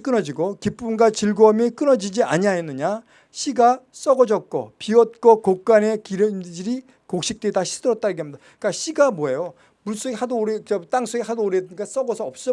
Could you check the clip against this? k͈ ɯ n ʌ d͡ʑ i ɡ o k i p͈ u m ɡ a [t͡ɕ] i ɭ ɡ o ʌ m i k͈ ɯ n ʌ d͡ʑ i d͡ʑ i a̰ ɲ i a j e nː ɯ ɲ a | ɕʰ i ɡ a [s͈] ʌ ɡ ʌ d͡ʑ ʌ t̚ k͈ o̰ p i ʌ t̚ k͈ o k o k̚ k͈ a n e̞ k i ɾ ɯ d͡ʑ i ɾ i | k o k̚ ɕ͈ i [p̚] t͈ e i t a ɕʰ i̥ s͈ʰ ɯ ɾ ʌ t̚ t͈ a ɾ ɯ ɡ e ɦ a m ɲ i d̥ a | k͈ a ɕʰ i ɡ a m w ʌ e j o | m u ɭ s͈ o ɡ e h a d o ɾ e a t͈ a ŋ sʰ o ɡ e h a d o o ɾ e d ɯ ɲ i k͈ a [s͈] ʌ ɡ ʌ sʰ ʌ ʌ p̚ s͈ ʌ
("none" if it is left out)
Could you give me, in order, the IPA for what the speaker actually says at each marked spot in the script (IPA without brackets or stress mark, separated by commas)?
t͡ɕ, s͈, k̚, s͈